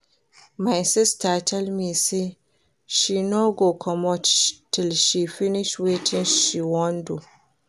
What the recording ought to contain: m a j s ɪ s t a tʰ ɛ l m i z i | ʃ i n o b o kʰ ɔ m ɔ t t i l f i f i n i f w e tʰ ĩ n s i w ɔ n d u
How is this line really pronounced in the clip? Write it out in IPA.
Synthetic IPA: m a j s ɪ s t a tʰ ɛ l m i s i | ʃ i n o ɡ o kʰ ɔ m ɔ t t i l ʃ i f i n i ʃ w e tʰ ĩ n ʃ i w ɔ n d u